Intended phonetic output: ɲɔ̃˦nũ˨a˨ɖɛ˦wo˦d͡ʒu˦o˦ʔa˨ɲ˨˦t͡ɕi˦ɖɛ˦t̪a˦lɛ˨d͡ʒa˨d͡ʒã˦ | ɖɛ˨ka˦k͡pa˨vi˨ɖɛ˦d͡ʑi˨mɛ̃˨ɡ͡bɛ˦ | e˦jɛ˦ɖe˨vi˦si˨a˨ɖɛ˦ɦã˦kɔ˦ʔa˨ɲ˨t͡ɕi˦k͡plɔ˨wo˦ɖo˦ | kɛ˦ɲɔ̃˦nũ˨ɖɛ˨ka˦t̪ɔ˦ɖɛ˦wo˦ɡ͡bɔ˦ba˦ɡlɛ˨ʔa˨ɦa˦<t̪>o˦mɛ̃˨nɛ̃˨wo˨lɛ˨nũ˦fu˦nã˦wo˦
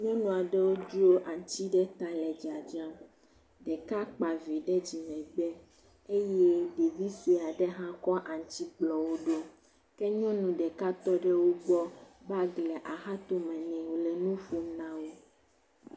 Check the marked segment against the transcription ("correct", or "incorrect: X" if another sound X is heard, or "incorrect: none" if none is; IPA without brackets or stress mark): correct